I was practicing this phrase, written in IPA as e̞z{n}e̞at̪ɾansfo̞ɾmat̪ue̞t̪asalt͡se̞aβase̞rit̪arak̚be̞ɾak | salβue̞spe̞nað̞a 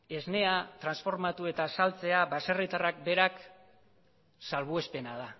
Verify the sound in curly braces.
correct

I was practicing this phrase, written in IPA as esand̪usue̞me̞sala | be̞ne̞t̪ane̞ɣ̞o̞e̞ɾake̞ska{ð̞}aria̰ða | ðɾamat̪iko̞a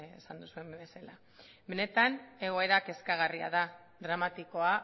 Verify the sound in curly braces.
incorrect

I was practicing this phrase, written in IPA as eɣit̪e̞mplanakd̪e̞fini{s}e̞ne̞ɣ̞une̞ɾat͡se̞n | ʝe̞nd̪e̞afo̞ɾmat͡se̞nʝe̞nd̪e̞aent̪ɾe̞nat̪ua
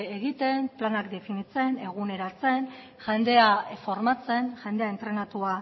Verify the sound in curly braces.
incorrect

